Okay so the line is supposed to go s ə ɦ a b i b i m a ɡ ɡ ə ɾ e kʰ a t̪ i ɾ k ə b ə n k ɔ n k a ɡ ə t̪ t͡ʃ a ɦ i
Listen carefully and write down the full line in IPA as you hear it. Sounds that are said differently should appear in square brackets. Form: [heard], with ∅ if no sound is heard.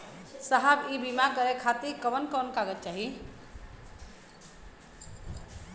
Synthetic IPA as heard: s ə ɦ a b i b i m a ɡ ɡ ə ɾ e kʰ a t̪ i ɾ k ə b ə n k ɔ n k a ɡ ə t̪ t͡ʃ a ɦ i